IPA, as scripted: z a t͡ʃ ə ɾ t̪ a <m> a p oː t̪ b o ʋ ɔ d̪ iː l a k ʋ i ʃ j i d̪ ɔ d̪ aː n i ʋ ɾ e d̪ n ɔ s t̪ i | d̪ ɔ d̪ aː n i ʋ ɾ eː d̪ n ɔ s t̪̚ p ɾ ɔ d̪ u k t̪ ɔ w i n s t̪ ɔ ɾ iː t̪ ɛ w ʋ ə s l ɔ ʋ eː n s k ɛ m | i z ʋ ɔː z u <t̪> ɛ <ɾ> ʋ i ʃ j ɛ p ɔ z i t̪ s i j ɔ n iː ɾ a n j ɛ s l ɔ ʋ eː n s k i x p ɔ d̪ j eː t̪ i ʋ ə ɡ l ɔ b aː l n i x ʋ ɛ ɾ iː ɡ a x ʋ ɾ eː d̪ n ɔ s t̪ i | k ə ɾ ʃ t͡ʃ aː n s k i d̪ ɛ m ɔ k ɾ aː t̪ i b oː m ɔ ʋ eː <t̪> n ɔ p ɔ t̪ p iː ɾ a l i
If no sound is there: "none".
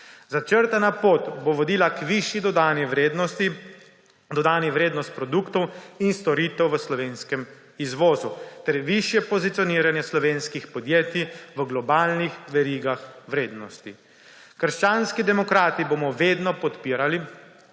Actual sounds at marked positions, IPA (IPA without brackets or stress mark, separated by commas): n, t̪, ɾ, d̪